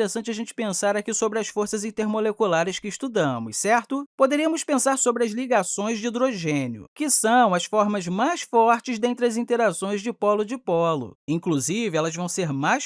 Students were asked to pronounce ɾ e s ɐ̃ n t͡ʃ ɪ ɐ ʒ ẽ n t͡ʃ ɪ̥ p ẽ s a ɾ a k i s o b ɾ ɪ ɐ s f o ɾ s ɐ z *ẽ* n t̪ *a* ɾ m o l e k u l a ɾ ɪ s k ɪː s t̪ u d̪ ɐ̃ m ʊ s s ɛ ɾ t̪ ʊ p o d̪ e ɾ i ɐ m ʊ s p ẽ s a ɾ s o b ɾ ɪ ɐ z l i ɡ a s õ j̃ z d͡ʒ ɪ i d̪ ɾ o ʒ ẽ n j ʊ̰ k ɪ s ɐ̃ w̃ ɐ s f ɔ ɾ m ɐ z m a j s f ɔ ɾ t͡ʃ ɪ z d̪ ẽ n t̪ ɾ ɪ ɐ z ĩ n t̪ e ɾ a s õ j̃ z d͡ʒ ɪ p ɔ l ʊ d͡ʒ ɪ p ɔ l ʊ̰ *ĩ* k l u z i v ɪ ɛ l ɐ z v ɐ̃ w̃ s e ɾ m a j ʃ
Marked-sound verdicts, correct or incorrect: incorrect: ĩ, incorrect: e, correct

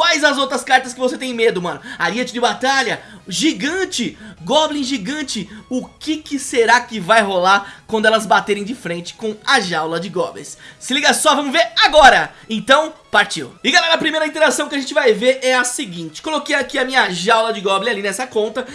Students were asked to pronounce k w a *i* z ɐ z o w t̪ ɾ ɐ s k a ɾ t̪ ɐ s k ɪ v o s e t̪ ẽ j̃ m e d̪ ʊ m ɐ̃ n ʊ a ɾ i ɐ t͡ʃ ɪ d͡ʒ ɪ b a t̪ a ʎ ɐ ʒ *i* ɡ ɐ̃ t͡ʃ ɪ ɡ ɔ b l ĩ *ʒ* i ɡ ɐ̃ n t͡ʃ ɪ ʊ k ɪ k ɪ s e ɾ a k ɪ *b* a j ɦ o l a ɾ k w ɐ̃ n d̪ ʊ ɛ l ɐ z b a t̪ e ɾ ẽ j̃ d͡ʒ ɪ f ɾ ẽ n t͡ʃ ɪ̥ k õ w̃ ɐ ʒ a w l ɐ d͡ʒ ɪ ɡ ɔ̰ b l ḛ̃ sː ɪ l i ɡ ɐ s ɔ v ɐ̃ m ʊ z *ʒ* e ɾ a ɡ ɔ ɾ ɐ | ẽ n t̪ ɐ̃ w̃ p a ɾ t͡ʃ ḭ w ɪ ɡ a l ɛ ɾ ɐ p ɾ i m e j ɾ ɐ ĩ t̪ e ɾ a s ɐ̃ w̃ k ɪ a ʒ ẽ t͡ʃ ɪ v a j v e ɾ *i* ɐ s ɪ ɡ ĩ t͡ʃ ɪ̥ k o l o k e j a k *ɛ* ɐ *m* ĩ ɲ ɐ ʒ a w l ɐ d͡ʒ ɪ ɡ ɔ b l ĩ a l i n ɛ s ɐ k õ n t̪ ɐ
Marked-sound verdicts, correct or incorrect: incorrect: j, correct, correct, incorrect: v, incorrect: v, incorrect: ɛ, incorrect: i, correct

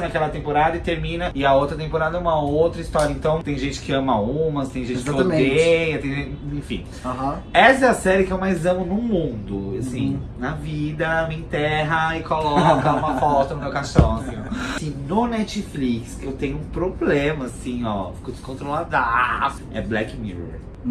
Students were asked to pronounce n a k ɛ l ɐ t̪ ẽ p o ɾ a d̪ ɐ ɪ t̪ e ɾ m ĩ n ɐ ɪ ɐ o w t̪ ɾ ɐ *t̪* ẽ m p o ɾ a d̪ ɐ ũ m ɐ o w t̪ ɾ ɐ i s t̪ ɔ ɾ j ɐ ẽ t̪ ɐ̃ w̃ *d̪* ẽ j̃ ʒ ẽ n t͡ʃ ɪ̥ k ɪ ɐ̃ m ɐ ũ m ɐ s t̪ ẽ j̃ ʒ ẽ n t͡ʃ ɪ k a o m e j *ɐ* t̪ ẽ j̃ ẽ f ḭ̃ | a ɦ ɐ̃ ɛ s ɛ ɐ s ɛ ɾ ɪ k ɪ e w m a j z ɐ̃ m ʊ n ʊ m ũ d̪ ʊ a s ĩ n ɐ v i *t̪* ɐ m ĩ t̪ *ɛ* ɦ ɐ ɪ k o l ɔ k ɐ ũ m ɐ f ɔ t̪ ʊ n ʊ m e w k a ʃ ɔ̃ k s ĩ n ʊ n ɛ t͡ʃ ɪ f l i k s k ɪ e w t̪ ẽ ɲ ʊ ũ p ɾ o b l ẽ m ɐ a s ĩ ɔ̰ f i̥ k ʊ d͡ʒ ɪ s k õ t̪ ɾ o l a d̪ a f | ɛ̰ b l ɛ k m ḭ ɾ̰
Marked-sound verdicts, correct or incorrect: correct, incorrect: t̪, correct, incorrect: d̪, correct

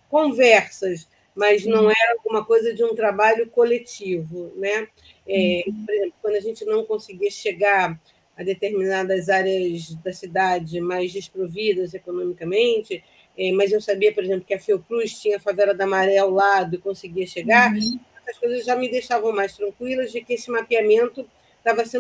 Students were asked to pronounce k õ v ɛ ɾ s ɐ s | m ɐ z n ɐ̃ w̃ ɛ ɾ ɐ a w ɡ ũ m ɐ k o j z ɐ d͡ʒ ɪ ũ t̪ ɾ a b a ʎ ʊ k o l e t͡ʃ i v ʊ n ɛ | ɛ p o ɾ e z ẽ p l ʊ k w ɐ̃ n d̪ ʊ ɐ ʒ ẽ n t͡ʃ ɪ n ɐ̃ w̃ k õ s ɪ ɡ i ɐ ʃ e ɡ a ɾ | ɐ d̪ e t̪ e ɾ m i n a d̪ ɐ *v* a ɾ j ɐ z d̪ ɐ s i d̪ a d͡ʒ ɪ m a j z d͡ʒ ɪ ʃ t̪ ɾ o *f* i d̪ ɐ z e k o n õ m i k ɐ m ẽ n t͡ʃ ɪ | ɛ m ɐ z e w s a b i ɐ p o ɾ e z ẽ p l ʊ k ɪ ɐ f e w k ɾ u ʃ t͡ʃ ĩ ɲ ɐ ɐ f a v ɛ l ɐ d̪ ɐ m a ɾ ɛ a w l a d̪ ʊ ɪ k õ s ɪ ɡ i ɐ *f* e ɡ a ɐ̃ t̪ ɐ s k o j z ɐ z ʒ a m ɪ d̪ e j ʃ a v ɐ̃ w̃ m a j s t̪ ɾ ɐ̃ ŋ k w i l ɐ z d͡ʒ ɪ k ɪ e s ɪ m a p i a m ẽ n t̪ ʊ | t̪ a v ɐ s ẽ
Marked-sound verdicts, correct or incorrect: incorrect: z, incorrect: v, incorrect: ʃ

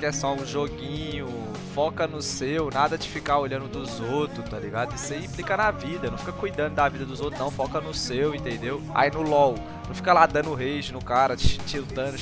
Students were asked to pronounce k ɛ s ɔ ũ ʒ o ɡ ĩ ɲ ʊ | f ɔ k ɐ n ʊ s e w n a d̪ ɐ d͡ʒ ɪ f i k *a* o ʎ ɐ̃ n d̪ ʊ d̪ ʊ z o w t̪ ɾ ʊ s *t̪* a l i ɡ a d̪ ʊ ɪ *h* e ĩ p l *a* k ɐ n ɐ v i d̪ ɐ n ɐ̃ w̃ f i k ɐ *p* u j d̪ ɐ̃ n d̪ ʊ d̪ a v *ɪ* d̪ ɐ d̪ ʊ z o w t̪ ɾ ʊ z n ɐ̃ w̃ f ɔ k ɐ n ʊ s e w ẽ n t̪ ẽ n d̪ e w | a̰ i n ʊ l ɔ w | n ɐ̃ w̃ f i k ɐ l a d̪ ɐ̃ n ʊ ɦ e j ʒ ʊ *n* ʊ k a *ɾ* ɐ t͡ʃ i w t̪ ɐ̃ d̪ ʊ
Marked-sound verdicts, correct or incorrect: correct, correct, incorrect: s, incorrect: i, incorrect: k, incorrect: i, correct, correct

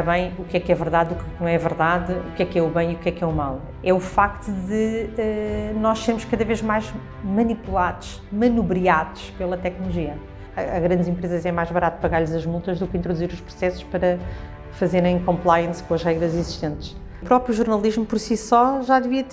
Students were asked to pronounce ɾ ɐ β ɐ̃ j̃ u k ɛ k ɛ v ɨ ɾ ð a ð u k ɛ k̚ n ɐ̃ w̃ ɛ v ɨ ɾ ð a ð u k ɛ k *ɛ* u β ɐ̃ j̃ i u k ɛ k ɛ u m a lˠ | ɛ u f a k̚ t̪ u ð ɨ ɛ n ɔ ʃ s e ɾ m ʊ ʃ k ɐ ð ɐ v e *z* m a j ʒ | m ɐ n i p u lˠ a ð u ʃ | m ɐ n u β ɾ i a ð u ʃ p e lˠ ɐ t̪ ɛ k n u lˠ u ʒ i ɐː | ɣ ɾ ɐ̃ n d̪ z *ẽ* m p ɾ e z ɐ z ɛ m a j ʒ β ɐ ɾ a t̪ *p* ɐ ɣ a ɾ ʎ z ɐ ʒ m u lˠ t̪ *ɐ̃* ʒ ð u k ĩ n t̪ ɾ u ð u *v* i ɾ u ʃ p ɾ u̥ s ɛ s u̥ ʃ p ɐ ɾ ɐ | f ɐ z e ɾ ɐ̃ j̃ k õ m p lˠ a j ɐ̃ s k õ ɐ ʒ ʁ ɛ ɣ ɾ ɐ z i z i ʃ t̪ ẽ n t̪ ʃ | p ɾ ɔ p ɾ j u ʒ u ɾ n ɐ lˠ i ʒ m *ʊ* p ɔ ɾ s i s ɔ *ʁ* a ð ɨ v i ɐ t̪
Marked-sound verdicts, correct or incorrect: correct, incorrect: ʒ, correct, correct, incorrect: ɐ, incorrect: z, incorrect: u, incorrect: ʒ

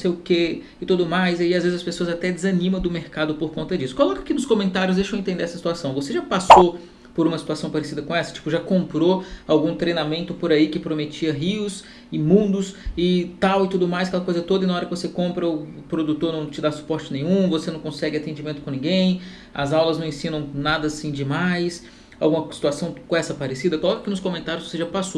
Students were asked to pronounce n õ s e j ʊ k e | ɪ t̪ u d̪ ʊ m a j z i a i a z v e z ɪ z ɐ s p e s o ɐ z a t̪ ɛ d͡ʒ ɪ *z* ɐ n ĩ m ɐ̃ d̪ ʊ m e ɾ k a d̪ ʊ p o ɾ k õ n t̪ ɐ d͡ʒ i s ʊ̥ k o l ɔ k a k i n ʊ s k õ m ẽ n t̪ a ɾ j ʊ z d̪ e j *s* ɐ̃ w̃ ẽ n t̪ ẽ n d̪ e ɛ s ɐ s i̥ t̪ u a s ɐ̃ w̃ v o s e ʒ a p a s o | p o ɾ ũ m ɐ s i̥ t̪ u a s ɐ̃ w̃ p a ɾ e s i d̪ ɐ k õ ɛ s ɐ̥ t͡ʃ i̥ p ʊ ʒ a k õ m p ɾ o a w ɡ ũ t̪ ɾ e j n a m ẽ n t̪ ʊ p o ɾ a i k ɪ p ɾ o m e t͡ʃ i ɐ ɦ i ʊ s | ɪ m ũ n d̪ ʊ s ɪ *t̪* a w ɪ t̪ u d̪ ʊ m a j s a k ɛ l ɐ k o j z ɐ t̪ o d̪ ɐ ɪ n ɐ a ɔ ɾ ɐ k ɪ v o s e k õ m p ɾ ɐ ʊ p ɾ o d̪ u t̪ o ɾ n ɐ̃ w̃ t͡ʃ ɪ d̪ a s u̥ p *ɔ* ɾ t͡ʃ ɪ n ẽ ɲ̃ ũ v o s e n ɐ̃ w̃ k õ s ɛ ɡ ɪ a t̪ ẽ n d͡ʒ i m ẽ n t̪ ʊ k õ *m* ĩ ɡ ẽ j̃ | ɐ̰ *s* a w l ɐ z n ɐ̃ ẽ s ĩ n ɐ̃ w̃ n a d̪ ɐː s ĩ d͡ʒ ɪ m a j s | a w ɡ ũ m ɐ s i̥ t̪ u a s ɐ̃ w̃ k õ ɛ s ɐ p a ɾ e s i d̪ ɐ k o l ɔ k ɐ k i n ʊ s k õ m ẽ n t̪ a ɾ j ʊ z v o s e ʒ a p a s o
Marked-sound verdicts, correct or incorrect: correct, incorrect: ʃ, correct, correct, incorrect: n, incorrect: z

